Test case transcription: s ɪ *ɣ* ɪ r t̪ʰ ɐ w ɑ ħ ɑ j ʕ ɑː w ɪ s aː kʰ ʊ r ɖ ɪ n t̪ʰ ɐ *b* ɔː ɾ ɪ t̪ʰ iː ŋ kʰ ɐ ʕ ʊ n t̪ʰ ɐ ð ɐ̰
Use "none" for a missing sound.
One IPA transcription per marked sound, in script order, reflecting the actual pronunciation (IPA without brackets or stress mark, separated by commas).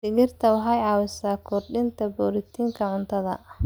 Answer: ɣ, b